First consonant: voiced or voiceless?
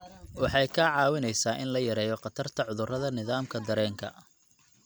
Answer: voiced